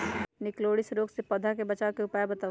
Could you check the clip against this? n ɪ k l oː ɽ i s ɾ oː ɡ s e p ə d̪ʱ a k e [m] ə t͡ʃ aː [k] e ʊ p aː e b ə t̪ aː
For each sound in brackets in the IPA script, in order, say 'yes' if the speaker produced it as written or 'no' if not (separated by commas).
no, yes